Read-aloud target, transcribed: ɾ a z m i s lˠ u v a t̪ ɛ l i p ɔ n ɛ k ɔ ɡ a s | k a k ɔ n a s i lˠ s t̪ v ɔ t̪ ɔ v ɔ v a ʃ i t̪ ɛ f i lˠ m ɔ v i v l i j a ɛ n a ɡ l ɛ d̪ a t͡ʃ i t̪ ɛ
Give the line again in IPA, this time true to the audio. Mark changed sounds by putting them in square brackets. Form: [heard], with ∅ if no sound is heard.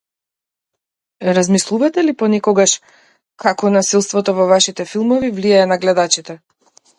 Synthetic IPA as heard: ɾ a z m i s lˠ u v a t̪ ɛ l i p ɔ n ɛ k ɔ ɡ a [ʃ] | k a k ɔ n a s i lˠ s t̪ v ɔ t̪ ɔ v ɔ v a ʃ i t̪ ɛ f i lˠ m ɔ v i v l i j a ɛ n a ɡ l ɛ d̪ a t͡ʃ i t̪ ɛ

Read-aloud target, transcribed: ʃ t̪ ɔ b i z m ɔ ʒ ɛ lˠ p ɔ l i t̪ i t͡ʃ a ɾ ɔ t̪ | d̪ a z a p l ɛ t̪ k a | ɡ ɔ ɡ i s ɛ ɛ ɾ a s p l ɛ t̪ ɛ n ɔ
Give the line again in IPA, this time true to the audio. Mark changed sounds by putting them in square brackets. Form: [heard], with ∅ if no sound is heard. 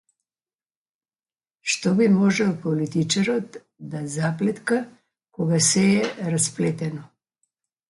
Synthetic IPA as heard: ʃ t̪ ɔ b i [∅] m ɔ ʒ ɛ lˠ p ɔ l i t̪ i t͡ʃ a ɾ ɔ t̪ | d̪ a z a p l ɛ t̪ k a | [k] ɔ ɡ [a] s ɛ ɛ ɾ a s p l ɛ t̪ ɛ n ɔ

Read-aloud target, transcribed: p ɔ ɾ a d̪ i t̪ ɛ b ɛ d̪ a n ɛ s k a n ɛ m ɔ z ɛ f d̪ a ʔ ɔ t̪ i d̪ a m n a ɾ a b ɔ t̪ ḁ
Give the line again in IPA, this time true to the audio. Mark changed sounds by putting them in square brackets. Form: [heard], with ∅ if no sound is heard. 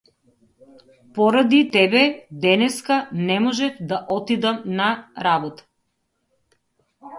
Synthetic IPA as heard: p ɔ ɾ a d̪ i t̪ ɛ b ɛ d̪ [ɛ] n ɛ s k a n ɛ m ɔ [ʒ] ɛ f d̪ a ʔ ɔ t̪ i d̪ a m n a ɾ a b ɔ t̪ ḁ

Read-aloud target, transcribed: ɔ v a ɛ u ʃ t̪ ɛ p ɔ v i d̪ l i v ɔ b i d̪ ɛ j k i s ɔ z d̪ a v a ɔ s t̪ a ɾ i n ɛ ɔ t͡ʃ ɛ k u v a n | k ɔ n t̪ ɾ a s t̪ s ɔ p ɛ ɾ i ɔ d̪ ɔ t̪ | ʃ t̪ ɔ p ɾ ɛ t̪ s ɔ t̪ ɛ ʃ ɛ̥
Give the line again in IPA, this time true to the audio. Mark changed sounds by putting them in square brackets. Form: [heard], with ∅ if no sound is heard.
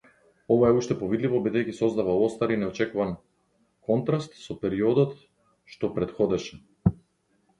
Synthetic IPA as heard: ɔ v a ɛ u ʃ t̪ ɛ p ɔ v i d̪ l i v ɔ b i d̪ ɛ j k i s ɔ z d̪ a v a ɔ s t̪ a ɾ i n ɛ ɔ t͡ʃ ɛ k u v a n | k ɔ n t̪ ɾ a s t̪ s ɔ p ɛ ɾ i ɔ d̪ ɔ t̪ | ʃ t̪ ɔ p ɾ ɛ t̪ [x] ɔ [d̪] ɛ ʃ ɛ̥

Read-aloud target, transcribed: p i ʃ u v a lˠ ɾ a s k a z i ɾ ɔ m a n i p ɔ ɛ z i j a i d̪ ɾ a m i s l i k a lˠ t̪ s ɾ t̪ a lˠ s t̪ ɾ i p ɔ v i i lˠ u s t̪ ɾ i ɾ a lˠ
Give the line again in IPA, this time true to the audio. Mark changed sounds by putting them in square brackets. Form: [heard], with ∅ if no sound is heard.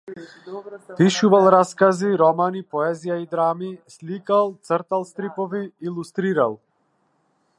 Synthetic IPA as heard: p i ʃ u v a lˠ ɾ a s k a z i ɾ ɔ m a n i p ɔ ɛ z i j a i d̪ ɾ a m i s l i k a lˠ t̪ s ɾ t̪ a lˠ s t̪ ɾ i p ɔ v i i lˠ u s t̪ ɾ i ɾ a lˠ

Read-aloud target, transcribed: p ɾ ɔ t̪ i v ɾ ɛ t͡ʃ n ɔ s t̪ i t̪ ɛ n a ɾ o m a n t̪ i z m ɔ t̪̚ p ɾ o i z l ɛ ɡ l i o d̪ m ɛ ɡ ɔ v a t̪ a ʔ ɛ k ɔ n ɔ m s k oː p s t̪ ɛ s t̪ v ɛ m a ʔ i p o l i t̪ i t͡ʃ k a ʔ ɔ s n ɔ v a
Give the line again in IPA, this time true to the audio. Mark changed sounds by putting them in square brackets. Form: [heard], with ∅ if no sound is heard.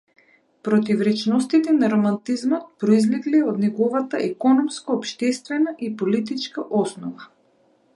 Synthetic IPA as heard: p ɾ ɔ t̪ i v ɾ ɛ t͡ʃ n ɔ s t̪ i t̪ ɛ n a ɾ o m a n t̪ i z m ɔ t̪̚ p ɾ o i z l ɛ ɡ l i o d̪ [n] ɛ ɡ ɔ v a t̪ a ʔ ɛ k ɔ n ɔ m s k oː p [ʃ] t̪ ɛ s t̪ v ɛ [n] a ʔ i p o l i t̪ i t͡ʃ k a ʔ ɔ s n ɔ v a

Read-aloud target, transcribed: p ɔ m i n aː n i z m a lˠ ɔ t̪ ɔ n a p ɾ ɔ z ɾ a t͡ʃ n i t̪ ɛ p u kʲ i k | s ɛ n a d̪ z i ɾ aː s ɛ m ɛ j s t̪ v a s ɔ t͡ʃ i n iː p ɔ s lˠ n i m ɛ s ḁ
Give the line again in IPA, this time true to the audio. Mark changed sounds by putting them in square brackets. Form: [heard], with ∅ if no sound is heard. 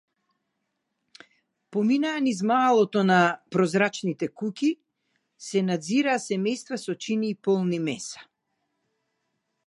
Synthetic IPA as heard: p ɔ m i n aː n i z m a lˠ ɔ t̪ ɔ n a p ɾ ɔ z ɾ a t͡ʃ n i t̪ ɛ [k] u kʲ i [∅] | s ɛ n a d̪ z i ɾ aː s ɛ m ɛ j s t̪ v a s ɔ t͡ʃ i n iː p ɔ [∅] lˠ n i m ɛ s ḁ

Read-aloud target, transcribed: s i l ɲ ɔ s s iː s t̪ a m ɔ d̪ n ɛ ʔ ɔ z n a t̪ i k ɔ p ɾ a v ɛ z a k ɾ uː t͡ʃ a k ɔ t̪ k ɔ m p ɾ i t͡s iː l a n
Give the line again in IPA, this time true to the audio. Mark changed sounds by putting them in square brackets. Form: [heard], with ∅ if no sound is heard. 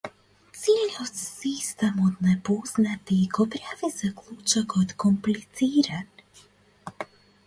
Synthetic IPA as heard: s i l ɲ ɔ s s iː s t̪ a m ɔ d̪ n ɛ [p] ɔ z n a t̪ i k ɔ p ɾ a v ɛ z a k [l] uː t͡ʃ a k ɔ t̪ k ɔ m p [l] i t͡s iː [ɾ] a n

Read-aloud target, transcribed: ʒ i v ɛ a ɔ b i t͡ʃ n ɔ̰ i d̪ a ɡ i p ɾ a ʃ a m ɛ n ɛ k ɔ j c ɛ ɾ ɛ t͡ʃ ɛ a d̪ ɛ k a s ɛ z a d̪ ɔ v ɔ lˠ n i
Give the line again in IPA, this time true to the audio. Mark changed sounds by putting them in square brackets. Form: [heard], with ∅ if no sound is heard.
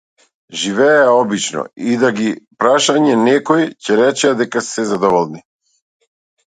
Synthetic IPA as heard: ʒ i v ɛ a ɔ b i t͡ʃ n ɔ̰ i d̪ a ɡ i p ɾ a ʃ a [ɲ] ɛ n ɛ k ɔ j c ɛ ɾ ɛ t͡ʃ ɛ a d̪ ɛ k a s ɛ z a d̪ ɔ v ɔ lˠ n i

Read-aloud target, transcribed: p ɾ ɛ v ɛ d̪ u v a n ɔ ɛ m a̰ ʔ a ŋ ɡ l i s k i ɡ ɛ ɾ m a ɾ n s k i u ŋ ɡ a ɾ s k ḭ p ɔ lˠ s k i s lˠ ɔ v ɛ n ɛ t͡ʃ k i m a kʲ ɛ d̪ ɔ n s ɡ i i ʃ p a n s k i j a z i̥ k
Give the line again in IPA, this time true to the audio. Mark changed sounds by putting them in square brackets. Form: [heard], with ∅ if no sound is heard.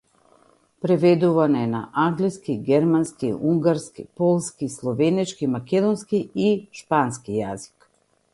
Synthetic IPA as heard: p ɾ ɛ v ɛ d̪ u v a n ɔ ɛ [n] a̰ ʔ a ŋ ɡ l i s k i ɡ ɛ ɾ m a [∅] n s k i u ŋ ɡ a ɾ s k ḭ p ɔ lˠ s k i s lˠ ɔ v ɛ n ɛ t͡ʃ k i m a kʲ ɛ d̪ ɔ n s [k] i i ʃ p a n s k i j a z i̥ k

